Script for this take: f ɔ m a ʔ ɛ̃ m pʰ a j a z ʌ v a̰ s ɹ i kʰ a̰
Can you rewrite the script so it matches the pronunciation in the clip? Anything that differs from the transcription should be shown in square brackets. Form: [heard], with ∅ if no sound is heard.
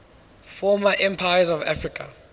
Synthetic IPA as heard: f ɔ m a ʔ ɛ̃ m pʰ a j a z [ɔ] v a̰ [f] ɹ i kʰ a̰